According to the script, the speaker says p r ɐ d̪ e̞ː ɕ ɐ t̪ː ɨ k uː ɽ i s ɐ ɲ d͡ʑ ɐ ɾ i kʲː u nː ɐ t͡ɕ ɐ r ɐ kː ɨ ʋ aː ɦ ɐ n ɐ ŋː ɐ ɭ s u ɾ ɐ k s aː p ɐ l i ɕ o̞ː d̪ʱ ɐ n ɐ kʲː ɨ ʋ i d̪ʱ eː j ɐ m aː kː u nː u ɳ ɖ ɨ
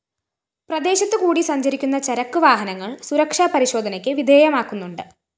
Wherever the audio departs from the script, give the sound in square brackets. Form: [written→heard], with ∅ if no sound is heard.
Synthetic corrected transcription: p r ɐ d̪ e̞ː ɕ ɐ t̪ː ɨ k uː ɽ i s ɐ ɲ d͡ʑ ɐ ɾ i kʲː u nː ɐ t͡ɕ ɐ [r→ɾ] ɐ kː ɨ ʋ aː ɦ ɐ n ɐ ŋː ɐ ɭ s u ɾ ɐ k [s→ʂ] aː p ɐ [l→ɾ] i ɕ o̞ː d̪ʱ ɐ n ɐ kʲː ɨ ʋ i d̪ʱ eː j ɐ m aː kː u nː u ɳ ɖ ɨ